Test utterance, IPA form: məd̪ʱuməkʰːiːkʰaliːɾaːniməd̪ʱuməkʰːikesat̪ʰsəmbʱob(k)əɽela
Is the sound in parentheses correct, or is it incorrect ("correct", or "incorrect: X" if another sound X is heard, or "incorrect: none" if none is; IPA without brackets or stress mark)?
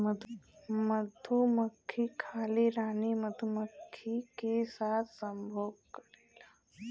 correct